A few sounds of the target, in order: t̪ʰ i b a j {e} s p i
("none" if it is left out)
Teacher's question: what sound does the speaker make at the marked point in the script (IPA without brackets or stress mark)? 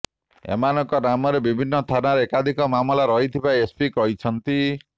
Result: e